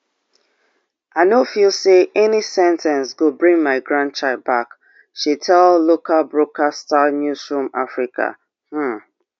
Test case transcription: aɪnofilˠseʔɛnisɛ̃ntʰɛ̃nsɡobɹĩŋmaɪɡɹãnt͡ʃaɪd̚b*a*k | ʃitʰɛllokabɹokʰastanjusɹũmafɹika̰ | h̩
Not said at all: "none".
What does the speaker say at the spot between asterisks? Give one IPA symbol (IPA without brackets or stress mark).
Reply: a